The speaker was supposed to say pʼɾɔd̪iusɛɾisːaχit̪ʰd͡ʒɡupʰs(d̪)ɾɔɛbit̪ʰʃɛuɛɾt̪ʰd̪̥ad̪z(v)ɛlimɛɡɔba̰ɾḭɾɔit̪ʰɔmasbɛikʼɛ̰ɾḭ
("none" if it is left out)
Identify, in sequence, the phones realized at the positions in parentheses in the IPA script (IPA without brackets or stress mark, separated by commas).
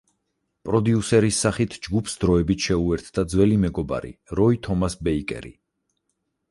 d̪, w